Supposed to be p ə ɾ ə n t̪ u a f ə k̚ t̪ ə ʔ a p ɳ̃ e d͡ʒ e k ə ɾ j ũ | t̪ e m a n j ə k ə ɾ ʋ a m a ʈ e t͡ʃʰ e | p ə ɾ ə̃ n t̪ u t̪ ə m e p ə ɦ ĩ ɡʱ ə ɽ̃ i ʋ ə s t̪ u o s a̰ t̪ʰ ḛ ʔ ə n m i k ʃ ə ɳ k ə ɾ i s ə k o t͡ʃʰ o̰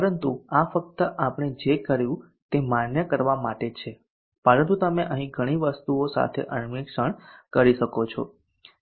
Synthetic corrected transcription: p ə ɾ ə n t̪ u a f ə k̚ t̪ ə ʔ a p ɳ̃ e d͡ʒ e k ə ɾ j ũ | t̪ e m a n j ə k ə ɾ ʋ a m a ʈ e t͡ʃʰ e | p ə ɾ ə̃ n t̪ u t̪ ə m e ʔ ə ɦ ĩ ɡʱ ə ɽ̃ i ʋ ə s t̪ u o s a̰ t̪ʰ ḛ ʔ ə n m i k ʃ ə ɳ k ə ɾ i ʃ ə k o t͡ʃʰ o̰

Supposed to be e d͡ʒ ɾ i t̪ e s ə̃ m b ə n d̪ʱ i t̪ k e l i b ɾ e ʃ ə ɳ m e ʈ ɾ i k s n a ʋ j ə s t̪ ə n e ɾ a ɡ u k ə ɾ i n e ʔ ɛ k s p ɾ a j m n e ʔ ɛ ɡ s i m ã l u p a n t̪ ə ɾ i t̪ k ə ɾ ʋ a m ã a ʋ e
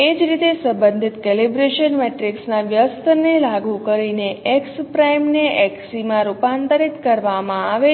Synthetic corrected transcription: e d͡ʒ ɾ i t̪ e s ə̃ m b ə n d̪ʱ i t̪ k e l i b ɾ e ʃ ə n m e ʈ ɾ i k s n a ʋ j ə s t̪ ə n e l a ɡ u k ə ɾ i n e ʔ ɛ k s p ɾ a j m n e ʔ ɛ k s i m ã ɾ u p a n t̪ ə ɾ i t̪ k ə ɾ ʋ a m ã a ʋ e

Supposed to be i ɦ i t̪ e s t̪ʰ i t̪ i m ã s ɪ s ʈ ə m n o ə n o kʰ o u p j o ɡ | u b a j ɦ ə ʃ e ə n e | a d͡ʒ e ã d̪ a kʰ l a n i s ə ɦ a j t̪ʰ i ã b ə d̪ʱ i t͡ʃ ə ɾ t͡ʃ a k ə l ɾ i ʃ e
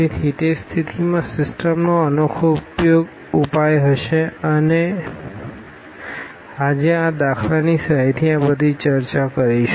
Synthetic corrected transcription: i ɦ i t̪ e s t̪ʰ i t̪ i m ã s ɪ s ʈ ə m n o ə n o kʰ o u p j o ɡ | u p a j ɦ ə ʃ e ə n e | a d͡ʒ e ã d̪ a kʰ l a n i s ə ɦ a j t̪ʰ i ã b ə d̪ʱ i t͡ʃ ə ɾ t͡ʃ a k ə ɾ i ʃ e

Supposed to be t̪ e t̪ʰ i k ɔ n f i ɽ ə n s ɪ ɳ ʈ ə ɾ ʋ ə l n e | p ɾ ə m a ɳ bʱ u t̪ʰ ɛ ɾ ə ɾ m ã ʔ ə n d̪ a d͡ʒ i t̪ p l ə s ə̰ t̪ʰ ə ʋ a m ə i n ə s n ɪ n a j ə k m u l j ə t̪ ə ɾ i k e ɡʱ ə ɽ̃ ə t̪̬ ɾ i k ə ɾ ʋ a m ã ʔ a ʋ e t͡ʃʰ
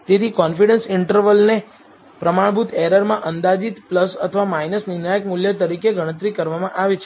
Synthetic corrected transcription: t̪ e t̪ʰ i k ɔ n f i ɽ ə n s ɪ ɳ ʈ ə ɾ ʋ ə l n e | p ɾ ə m a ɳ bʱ u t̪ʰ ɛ ɾ ə ɾ m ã ʔ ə n d̪ a d͡ʒ i t̪ p l ə s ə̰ t̪ʰ ə ʋ a m a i n ə s n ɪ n a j ə k m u l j ə t̪ ə ɾ i k e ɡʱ ə ɽ̃ ə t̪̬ ɾ i k ə ɾ ʋ a m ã ʔ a ʋ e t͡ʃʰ

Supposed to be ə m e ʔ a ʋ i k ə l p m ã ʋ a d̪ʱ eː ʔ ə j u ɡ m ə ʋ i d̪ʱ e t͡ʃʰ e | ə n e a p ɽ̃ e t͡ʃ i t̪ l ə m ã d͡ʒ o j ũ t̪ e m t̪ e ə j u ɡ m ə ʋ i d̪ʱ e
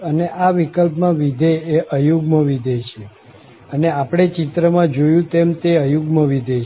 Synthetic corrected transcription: ə n e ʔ a ʋ i k ə l p m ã ʋ i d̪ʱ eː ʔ ə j u ɡ m ə ʋ i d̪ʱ e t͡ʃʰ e | ə n e a p ɽ̃ e t͡ʃ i t̪ ɾ ə m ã d͡ʒ o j ũ t̪ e m t̪ e ə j u ɡ m ə ʋ i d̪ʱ e

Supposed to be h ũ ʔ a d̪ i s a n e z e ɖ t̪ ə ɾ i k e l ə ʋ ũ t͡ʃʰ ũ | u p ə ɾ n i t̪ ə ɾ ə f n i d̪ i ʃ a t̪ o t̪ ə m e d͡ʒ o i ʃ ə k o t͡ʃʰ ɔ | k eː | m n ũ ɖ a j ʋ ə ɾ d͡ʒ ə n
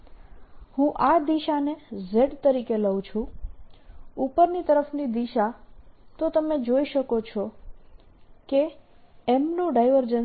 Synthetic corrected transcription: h ũ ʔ a d̪ i ʃ a n e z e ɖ t̪ ə ɾ i k e l ə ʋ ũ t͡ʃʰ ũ | u p ə ɾ n i t̪ ə ɾ ə f n i d̪ i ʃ a t̪ o t̪ ə m e d͡ʒ o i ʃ ə k o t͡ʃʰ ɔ | k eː | m n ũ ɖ a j ʋ ə ɾ d͡ʒ ə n

